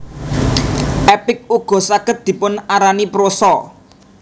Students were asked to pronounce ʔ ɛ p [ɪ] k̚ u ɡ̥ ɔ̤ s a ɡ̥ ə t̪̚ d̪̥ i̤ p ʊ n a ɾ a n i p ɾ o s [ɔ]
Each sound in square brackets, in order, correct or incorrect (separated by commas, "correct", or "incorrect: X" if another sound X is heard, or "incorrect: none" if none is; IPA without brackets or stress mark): correct, correct